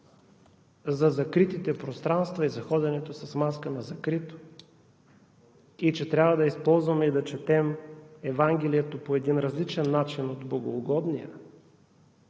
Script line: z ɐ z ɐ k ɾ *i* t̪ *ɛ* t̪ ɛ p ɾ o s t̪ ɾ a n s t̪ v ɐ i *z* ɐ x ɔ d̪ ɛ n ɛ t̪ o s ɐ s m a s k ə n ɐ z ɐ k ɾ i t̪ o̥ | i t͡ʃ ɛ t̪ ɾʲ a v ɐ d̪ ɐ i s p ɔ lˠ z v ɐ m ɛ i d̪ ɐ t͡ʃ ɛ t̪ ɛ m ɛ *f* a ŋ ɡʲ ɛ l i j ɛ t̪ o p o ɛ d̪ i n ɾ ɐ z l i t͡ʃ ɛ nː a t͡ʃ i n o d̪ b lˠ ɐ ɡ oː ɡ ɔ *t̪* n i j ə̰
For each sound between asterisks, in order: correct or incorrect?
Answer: correct, incorrect: i, correct, incorrect: v, incorrect: d̪

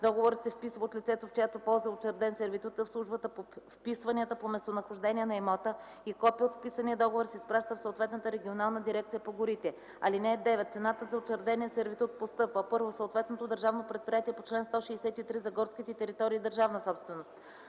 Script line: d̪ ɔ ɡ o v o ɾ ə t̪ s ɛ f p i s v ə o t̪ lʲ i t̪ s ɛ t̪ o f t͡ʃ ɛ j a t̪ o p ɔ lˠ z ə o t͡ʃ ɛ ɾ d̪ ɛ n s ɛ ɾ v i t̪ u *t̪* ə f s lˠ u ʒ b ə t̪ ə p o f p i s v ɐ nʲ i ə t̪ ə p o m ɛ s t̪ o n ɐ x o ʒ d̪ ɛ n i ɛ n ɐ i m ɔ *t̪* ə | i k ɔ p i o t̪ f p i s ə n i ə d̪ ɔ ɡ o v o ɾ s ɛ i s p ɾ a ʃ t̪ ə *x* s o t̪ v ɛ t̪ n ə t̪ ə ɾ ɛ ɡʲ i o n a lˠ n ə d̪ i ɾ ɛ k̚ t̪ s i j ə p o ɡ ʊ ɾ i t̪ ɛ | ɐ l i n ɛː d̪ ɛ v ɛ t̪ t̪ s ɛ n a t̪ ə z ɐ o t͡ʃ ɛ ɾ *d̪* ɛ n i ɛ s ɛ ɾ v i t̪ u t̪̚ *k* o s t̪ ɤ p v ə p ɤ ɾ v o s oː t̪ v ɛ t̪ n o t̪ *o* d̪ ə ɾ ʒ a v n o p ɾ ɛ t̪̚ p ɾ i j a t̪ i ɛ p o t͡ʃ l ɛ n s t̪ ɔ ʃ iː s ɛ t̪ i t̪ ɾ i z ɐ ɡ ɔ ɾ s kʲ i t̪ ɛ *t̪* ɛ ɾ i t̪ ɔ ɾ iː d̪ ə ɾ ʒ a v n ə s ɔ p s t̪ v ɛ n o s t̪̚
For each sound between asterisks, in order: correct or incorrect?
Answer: correct, correct, incorrect: f, correct, incorrect: p, correct, correct

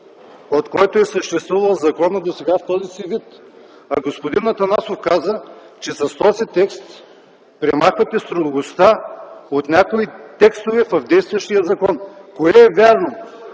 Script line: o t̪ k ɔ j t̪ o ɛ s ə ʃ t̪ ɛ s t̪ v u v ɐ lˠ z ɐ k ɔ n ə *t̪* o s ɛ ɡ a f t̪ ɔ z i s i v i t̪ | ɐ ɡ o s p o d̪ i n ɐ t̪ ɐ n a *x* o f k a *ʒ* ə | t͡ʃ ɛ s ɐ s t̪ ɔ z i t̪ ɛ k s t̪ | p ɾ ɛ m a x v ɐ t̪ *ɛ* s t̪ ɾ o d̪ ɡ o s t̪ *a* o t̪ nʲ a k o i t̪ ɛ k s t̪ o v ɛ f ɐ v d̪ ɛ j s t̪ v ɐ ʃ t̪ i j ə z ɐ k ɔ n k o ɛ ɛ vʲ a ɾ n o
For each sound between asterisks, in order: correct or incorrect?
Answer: incorrect: d̪, incorrect: s, incorrect: z, correct, correct

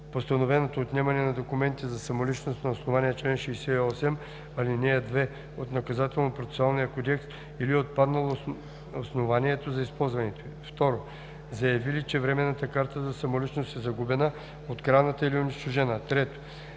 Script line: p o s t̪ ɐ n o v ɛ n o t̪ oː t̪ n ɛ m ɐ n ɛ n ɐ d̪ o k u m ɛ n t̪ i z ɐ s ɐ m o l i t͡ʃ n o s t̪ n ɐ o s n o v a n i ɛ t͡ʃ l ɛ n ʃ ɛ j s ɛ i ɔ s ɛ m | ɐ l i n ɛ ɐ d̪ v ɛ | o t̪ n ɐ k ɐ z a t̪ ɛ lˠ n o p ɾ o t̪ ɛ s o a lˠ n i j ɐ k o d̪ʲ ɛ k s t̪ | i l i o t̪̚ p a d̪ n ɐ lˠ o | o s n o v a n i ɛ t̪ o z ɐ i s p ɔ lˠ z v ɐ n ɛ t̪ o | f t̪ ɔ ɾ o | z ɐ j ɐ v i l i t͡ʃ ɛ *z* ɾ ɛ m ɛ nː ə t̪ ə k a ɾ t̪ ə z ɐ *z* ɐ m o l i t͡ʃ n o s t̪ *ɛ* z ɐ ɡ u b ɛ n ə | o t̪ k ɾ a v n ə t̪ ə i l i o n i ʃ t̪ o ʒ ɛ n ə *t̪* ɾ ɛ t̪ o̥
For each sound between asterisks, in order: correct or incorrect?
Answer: incorrect: v, incorrect: s, correct, correct

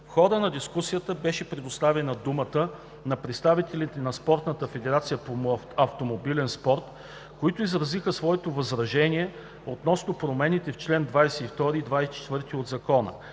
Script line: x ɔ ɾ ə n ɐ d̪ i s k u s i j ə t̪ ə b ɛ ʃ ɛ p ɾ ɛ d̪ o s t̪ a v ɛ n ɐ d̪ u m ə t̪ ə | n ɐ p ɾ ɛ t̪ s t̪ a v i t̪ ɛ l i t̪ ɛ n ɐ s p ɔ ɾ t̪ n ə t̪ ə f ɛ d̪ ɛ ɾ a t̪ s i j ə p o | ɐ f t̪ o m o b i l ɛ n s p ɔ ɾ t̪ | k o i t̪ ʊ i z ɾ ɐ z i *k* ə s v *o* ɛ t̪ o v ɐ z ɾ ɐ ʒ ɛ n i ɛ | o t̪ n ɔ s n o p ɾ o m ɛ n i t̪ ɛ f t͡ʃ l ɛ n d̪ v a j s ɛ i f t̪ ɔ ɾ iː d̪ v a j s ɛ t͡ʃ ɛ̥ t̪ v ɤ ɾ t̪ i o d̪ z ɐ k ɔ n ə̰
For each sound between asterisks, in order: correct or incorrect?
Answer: incorrect: x, incorrect: ɔ

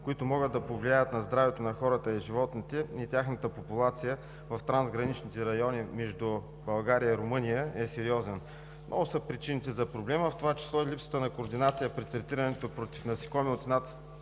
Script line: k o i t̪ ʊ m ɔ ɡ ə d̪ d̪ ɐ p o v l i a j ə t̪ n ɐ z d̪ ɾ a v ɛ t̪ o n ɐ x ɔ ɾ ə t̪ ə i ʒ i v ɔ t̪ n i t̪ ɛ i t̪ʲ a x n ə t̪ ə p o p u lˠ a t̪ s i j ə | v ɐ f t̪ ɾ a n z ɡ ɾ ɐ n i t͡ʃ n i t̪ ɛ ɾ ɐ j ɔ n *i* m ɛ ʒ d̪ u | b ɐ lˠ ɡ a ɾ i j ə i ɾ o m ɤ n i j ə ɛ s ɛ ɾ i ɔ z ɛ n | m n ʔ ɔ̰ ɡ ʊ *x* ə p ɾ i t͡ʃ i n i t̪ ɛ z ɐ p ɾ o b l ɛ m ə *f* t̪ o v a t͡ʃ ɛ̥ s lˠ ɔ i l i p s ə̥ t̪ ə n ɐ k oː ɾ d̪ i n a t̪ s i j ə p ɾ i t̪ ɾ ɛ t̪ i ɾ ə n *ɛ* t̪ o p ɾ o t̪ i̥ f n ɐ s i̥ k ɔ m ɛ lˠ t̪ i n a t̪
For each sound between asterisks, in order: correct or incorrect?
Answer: correct, incorrect: s, correct, correct

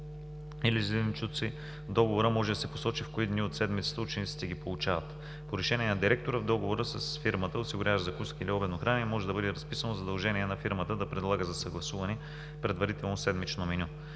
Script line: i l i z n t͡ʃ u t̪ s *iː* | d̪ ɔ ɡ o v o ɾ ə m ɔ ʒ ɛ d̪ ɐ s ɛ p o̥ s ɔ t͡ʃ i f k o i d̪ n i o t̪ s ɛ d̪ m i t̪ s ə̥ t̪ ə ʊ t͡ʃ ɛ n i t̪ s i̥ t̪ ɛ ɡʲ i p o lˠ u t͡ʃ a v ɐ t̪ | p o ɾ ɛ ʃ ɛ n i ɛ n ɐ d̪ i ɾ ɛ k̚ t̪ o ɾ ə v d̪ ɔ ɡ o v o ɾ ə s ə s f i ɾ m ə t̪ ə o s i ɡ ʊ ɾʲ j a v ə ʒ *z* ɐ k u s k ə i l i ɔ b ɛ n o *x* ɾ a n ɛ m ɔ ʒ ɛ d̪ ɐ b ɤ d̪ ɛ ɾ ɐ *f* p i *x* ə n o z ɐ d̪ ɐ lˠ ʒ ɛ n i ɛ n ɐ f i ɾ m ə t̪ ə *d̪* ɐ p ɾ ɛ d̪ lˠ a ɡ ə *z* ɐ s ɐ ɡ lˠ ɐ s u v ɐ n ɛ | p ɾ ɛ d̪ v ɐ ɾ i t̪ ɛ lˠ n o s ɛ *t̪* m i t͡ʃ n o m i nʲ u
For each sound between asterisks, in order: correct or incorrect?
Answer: incorrect: i, correct, correct, incorrect: s, incorrect: s, correct, correct, incorrect: d̪

